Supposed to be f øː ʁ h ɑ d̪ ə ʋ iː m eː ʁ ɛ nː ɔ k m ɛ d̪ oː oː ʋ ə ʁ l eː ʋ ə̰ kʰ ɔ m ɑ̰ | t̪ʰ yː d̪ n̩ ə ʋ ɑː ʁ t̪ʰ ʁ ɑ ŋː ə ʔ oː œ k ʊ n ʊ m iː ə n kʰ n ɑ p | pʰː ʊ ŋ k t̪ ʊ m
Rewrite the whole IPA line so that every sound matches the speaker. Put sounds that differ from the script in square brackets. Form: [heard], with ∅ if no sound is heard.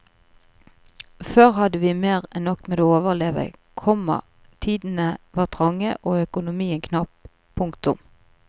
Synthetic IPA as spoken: f øː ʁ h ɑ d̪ ə ʋ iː m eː ʁ ɛ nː ɔ k m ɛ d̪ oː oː ʋ ə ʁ l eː ʋ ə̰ kʰ ɔ m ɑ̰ | t̪ʰ [iː] d̪ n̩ ə ʋ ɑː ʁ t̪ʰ ʁ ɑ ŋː ə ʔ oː œ k ʊ n ʊ m iː ə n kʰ n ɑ p | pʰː ʊ ŋ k t̪ ʊ m

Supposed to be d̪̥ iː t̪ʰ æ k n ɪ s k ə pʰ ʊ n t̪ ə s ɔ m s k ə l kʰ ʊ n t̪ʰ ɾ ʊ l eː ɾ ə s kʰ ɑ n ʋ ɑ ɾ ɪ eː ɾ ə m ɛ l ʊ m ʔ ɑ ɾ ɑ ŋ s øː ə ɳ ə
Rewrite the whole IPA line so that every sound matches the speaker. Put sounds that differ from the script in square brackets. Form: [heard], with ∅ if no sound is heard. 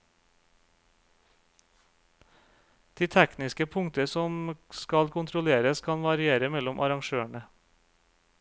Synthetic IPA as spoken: d̪̥ iː t̪ʰ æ k n ɪ s k ə pʰ ʊ [ŋ] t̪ ə s ɔ m s k [ɑ] l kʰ ʊ n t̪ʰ ɾ ʊ l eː ɾ ə s kʰ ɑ n ʋ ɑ ɾ ɪ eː ɾ ə m ɛ l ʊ m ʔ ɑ ɾ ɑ ŋ [ʃ] øː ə ɳ ə

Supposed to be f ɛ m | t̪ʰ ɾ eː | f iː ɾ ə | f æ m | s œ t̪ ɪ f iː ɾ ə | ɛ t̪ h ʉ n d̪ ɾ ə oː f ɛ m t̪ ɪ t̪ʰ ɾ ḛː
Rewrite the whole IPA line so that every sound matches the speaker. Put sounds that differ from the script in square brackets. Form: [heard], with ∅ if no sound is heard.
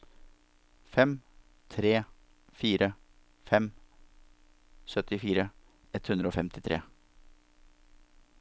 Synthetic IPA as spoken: f ɛ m | t̪ʰ ɾ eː | f iː ɾ ə | f [ɛ] m | s œ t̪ ɪ f iː ɾ ə | ɛ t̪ h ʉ n d̪ ɾ ə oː f ɛ m t̪ ɪ t̪ʰ ɾ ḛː

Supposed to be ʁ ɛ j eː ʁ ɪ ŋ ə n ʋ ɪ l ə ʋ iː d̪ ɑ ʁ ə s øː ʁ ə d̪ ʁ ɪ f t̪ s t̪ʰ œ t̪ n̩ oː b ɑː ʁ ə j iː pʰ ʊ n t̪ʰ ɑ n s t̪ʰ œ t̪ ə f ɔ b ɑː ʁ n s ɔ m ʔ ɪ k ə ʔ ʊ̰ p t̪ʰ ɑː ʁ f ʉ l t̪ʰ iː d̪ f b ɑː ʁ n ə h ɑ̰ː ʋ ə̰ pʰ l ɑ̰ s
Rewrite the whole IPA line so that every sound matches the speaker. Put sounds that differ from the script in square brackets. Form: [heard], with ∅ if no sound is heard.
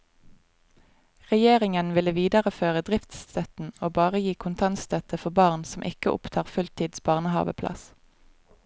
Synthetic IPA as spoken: ʁ ɛ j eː ʁ ɪ ŋ ə n ʋ ɪ l ə ʋ iː d̪ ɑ ʁ ə [f] øː ʁ ə d̪ ʁ ɪ f t̪ s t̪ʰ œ t̪ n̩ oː b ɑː ʁ ə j iː [kʰ] ʊ n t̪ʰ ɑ n s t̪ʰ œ t̪ ə f ɔ b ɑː ʁ n s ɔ m ʔ ɪ k ə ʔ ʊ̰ p t̪ʰ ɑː ʁ f ʉ l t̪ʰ iː d̪ [s] b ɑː ʁ n ə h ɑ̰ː ʋ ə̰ pʰ l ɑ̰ s

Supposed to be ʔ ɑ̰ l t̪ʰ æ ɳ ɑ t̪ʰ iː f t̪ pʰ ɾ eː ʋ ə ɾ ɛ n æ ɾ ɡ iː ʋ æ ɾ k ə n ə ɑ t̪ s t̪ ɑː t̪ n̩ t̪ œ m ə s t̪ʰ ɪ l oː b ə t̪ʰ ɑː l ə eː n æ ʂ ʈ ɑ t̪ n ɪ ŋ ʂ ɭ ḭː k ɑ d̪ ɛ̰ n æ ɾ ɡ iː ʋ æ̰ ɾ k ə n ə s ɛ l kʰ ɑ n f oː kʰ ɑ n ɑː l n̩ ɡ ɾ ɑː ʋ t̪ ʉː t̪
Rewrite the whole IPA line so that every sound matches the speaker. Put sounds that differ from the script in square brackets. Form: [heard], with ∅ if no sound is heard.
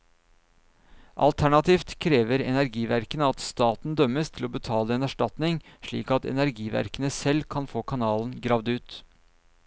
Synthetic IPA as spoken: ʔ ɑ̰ l t̪ʰ æ ɳ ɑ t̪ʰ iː f t̪ [kʰ] ɾ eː ʋ ə ɾ ɛ n æ ɾ ɡ iː ʋ æ ɾ k ə n ə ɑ t̪ s t̪ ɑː t̪ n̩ [d̪] œ m ə s t̪ʰ ɪ l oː b ə t̪ʰ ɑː l ə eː n æ ʂ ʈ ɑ t̪ n ɪ ŋ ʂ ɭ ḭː k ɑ [t̪] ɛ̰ n æ ɾ ɡ iː ʋ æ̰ ɾ k ə n ə s ɛ l kʰ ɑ n f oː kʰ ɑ n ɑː l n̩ ɡ ɾ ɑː ʋ [d̪] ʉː t̪

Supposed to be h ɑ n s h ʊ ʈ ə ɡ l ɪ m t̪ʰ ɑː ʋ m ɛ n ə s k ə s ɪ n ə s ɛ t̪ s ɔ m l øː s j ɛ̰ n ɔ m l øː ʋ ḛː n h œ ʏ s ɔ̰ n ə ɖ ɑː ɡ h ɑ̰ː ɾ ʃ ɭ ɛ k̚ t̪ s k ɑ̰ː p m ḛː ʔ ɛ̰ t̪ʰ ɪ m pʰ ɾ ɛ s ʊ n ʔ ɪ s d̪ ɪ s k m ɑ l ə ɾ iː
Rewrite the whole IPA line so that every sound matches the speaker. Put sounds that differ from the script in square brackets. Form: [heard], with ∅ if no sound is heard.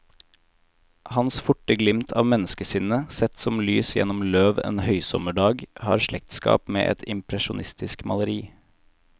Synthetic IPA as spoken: h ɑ n s [f] ʊ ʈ ə ɡ l ɪ m t̪ʰ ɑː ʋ m ɛ n ə s k ə s ɪ n ə s ɛ t̪ s ɔ m l [yː] s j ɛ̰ n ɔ m l øː ʋ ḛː n h œ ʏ s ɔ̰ [m] ə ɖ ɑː ɡ h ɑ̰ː ɾ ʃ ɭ ɛ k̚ t̪ s k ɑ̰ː p m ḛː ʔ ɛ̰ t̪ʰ ɪ m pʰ ɾ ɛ [ʃ] ʊ n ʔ ɪ s [t̪] ɪ s k m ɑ l ə ɾ iː

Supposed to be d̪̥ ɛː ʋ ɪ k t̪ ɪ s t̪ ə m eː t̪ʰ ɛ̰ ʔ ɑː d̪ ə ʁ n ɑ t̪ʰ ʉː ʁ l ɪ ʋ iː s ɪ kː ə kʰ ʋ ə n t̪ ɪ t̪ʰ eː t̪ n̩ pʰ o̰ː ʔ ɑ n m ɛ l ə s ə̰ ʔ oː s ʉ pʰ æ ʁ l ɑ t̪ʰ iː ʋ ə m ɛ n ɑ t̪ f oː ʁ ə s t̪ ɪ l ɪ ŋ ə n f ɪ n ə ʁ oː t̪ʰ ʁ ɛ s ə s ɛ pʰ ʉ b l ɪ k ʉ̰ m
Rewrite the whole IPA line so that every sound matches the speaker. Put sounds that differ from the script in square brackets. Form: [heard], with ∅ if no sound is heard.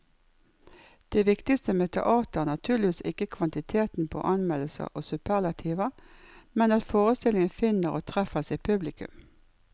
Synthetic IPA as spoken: d̪̥ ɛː ʋ ɪ k t̪ ɪ s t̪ ə m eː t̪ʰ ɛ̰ ʔ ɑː [t̪] ə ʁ n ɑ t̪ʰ ʉː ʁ l ɪ ʋ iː s ɪ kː ə kʰ ʋ [ɑ] n t̪ ɪ t̪ʰ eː t̪ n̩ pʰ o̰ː ʔ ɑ n m ɛ l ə s ə̰ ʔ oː s ʉ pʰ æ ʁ l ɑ t̪ʰ iː ʋ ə m ɛ n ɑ t̪ f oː ʁ ə s t̪ ɪ l ɪ ŋ ə n f ɪ n ə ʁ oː t̪ʰ ʁ ɛ [f] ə s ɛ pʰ ʉ b l ɪ k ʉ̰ m

